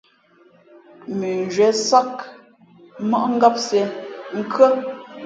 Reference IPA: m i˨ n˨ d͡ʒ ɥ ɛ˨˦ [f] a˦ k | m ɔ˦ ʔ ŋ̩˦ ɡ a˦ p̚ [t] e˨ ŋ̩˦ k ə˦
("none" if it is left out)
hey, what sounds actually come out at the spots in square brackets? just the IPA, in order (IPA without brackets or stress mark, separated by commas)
s, s